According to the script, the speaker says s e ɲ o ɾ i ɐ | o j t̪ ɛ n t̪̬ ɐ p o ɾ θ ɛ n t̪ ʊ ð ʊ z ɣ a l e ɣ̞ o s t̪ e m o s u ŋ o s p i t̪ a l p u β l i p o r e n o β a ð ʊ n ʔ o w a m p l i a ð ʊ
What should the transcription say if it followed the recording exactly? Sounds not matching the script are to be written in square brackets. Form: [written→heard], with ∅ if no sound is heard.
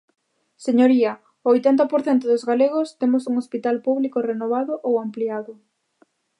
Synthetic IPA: s e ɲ o ɾ i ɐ | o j t̪ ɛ n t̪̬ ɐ p o ɾ θ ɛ n t̪ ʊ ð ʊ z ɣ a l e ɣ̞ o s t̪ e m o s u ŋ o s p i t̪ a l p u β l i [p→k] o r e n o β a ð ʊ [n→∅] ʔ o w a m p l i a ð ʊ

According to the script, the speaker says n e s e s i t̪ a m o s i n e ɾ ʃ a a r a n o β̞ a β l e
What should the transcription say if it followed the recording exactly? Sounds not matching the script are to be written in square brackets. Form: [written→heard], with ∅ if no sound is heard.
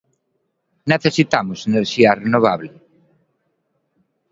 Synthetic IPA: n e [s→θ] e s i t̪ a m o s [i→e] n e ɾ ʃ [a→i] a r [a→e] n o β̞ a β l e

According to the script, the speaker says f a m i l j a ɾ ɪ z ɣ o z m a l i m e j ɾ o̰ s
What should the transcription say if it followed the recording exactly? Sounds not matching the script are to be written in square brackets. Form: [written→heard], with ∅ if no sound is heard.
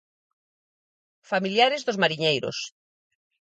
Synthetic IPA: f a m i l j a ɾ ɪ z [ɣ→ð] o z m a [l→ɾ] i [m→ɲ] e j ɾ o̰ s

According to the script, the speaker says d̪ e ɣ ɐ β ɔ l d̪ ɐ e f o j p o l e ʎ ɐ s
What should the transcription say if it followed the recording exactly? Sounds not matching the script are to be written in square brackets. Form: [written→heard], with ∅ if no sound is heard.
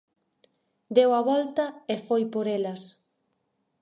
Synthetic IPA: d̪ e [ɣ→w] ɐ β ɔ l [d̪→t̪] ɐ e f o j p o [l→ɾ] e [ʎ→l] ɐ s

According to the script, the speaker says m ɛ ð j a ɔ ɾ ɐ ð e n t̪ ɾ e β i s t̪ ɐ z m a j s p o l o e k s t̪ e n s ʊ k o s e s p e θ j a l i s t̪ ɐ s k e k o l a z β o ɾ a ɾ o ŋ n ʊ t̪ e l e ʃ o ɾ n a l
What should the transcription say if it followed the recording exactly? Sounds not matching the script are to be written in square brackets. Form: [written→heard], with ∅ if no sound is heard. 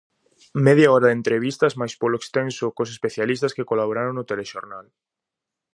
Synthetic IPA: m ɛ ð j a ɔ ɾ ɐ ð e n t̪ ɾ e β i s t̪ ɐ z m a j s p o l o e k s t̪ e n s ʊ k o s e s p e θ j a l i s t̪ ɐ s k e k o l a [z→∅] β o ɾ a ɾ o ŋ n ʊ t̪ e l e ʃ o ɾ n a l

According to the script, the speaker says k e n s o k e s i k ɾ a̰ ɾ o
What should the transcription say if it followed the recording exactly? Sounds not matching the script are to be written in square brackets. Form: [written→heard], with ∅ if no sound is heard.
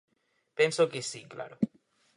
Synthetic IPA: [k→p] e n s o k e s i k [ɾ→l] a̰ ɾ o

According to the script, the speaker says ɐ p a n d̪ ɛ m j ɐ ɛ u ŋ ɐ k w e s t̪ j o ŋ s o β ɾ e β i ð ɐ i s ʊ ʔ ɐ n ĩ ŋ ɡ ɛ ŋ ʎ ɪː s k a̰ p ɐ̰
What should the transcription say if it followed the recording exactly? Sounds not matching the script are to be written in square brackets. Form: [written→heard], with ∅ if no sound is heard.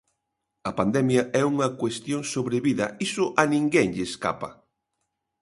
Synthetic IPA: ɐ p a n d̪ ɛ m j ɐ ɛ u ŋ ɐ k w e s t̪ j o ŋ s o β ɾ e β i ð ɐ i s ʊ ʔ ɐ n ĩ ŋ ɡ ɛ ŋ ʎ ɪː s k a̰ p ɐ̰

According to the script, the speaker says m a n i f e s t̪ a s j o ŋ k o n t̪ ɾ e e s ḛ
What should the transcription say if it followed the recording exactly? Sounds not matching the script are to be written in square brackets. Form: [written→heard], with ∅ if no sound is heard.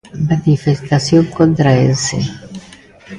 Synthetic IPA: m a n i f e s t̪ a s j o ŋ k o n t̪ ɾ [e→a] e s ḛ

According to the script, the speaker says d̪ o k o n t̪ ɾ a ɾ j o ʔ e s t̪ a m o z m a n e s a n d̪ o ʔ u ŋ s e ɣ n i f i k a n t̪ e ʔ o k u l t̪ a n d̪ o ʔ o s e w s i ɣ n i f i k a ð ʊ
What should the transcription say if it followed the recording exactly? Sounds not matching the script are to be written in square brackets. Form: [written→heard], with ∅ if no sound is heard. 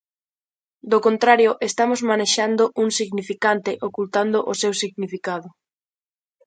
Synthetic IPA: d̪ o k o n t̪ ɾ a ɾ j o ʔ e s t̪ a m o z m a n e [s→ʃ] a n d̪ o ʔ u ŋ s [e→i] ɣ n i f i k a n t̪ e ʔ o k u l t̪ a n d̪ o ʔ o s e w s i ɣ n i f i k a ð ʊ

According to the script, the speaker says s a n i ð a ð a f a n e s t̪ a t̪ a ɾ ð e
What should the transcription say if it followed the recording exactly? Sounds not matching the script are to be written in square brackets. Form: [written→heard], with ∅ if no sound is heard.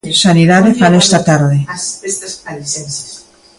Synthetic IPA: s a n i ð a ð [a→e] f a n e s t̪ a t̪ a ɾ ð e

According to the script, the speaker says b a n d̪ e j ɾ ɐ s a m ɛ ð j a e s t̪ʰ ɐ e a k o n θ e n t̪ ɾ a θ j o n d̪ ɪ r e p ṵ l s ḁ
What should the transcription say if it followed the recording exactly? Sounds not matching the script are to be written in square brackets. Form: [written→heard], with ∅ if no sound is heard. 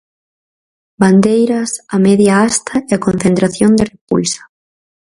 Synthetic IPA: b a n d̪ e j ɾ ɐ s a m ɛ ð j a [e→a] s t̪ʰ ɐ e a k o n θ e n t̪ ɾ a θ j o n d̪ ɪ r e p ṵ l s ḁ

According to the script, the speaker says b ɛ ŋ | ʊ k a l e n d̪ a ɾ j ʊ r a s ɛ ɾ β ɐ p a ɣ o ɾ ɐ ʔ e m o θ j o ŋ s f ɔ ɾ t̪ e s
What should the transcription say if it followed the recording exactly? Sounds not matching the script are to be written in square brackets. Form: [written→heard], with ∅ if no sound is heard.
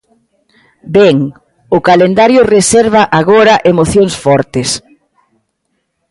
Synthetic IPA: b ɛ ŋ | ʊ k a l e n d̪ a ɾ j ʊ r [a→e] s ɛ ɾ β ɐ [p→ʔ] a ɣ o ɾ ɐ ʔ e m o θ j o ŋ s f ɔ ɾ t̪ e s

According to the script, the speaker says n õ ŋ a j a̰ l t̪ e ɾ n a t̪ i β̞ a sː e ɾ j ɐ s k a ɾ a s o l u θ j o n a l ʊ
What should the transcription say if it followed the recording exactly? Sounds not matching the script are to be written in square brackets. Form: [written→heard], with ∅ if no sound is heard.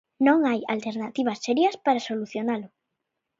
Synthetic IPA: n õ ŋ a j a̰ l t̪ e ɾ n a t̪ i β̞ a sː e ɾ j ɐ s [k→p] a ɾ a s o l u θ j o n a l ʊ

